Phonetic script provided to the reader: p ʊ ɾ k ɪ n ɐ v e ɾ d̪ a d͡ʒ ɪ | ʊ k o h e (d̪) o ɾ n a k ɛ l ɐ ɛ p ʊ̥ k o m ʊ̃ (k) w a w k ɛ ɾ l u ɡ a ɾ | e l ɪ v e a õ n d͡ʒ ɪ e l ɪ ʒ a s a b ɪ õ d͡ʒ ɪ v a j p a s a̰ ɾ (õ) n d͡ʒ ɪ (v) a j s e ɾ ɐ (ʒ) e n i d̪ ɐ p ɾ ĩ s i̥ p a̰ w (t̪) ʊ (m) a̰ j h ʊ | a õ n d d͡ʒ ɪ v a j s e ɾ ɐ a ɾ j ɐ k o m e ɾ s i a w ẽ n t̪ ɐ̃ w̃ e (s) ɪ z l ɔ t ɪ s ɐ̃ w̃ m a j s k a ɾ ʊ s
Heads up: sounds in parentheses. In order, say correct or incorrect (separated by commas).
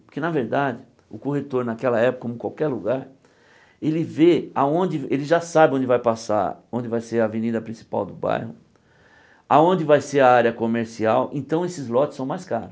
incorrect, correct, correct, correct, incorrect, incorrect, incorrect, correct